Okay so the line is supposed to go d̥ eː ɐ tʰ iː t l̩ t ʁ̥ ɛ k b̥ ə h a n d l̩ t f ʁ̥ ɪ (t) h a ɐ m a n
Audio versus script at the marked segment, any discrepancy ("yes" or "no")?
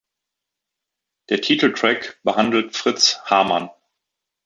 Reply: yes